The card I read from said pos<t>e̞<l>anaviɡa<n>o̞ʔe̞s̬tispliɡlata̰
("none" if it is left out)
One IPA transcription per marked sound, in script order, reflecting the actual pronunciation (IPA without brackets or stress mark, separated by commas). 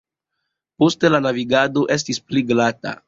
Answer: t, l, d